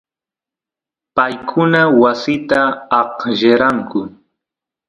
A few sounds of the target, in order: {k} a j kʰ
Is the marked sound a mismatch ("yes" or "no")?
yes